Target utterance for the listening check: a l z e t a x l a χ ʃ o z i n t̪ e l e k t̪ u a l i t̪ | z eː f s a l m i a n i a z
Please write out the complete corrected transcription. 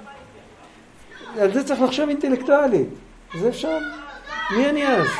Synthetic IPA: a l z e t͡s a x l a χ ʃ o v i n t̪ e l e k t̪ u a l i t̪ | z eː f ʃ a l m i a n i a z